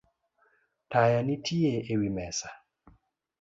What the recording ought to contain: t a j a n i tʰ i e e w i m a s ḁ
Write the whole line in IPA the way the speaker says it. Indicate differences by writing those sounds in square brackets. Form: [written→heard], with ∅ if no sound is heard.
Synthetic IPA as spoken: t a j a n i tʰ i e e w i m [a→ɛ] s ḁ

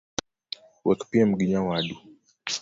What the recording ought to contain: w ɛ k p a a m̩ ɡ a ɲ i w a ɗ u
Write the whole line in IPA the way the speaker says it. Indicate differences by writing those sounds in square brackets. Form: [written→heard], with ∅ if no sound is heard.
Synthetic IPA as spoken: w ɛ k p [a→i] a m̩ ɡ [a→i] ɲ [i→a] w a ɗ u

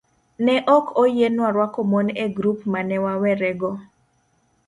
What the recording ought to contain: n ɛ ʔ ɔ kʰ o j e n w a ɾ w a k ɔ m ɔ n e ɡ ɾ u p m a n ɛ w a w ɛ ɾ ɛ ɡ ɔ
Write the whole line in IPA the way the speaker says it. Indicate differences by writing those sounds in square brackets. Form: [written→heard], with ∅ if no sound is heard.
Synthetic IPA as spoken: n ɛ ʔ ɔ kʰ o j e n w a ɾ w a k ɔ m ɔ n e ɡ ɾ u p m a n ɛ w a w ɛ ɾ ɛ ɡ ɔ

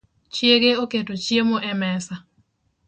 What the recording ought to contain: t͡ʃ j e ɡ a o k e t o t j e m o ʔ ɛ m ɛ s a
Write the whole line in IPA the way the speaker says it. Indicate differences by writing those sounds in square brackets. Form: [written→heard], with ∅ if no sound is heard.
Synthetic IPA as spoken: t͡ʃ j e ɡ [a→e] o k e t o [t→t͡ʃ] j e m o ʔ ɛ m ɛ s a

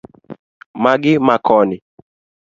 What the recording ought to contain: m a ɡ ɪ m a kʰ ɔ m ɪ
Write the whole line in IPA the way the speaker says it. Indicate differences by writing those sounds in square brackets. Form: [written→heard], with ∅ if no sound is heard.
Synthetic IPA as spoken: m a ɡ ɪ m a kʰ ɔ [m→n] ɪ

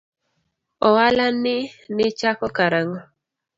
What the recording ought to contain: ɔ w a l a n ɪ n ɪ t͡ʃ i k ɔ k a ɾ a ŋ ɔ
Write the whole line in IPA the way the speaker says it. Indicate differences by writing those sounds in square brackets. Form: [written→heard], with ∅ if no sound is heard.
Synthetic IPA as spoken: ɔ w a l a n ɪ n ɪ t͡ʃ [i→a] k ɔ k a ɾ a ŋ ɔ

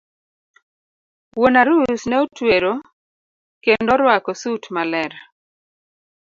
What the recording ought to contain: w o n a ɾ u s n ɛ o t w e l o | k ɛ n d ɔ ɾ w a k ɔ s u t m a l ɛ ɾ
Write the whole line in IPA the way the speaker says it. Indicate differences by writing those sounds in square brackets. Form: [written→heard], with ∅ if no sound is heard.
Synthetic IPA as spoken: w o n a ɾ u s n ɛ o t w e [l→ɾ] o | k [ɛ→e] n d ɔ ɾ w a k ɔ s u t m a l ɛ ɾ

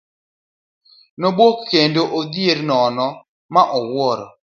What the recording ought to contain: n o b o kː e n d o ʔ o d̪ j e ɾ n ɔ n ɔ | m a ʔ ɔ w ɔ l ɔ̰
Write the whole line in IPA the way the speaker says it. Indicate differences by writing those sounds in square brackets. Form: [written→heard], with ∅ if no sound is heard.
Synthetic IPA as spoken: n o b o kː e n d o ʔ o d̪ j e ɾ n ɔ n ɔ | m a ʔ ɔ w ɔ [l→ɾ] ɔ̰

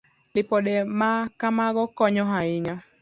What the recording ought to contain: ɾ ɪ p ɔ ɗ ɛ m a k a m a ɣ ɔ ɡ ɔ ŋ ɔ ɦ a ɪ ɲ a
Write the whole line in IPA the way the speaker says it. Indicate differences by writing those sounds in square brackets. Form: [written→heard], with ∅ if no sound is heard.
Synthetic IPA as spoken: [ɾ→l] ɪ p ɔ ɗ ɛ m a k a m a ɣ ɔ [ɡ→k] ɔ [ŋ→ɲ] ɔ ɦ a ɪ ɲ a

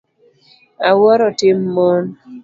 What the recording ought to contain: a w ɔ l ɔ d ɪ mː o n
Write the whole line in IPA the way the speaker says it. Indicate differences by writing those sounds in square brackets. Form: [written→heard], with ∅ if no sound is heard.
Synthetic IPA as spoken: a w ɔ [l→ɾ] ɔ [d→t] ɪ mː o n

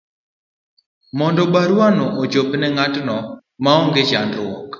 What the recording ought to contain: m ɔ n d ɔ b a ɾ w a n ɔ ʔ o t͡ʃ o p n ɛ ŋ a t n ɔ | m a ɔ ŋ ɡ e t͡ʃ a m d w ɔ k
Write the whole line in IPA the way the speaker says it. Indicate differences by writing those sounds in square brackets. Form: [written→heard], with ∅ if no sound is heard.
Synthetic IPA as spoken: m ɔ n d ɔ b a ɾ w a n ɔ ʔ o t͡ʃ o p n ɛ ŋ a t n ɔ | m a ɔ ŋ ɡ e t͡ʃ a [m→n] d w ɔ k

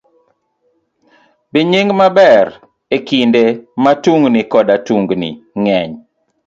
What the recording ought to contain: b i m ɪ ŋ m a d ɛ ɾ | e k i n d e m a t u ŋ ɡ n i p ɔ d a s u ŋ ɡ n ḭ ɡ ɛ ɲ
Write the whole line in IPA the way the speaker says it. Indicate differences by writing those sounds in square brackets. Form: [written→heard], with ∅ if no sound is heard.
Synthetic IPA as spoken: b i [m→ɲ] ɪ ŋ m a [d→b] ɛ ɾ | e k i n d e m a t u ŋ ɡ n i [p→k] ɔ d a [s→t] u ŋ ɡ n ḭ [ɡ→ŋ] ɛ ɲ

